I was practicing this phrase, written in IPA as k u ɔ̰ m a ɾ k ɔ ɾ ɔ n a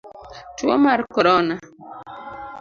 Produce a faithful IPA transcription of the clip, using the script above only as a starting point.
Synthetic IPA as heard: t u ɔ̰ m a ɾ k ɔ ɾ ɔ n a